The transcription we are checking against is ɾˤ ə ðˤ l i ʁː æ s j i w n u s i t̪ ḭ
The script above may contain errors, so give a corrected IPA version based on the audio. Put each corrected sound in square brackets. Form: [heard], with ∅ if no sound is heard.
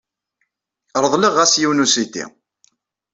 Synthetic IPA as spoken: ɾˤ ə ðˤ l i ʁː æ s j i w n u s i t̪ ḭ